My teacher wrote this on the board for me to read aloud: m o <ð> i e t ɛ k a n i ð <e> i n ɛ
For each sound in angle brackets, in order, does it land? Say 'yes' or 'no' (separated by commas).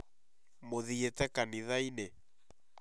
yes, no